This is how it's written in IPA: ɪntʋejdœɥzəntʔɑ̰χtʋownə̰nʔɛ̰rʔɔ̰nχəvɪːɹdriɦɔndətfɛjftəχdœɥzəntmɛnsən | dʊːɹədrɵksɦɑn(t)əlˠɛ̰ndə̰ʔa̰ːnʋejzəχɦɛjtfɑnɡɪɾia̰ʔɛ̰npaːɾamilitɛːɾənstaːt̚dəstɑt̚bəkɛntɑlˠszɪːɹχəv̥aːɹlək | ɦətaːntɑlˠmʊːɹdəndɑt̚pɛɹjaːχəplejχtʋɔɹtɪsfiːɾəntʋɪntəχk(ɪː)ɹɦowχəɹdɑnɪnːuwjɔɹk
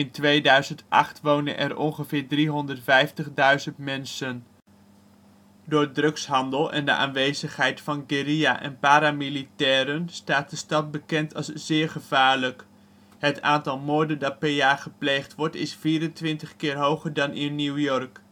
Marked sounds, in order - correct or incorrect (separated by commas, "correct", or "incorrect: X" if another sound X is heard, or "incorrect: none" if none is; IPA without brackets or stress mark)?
incorrect: d, correct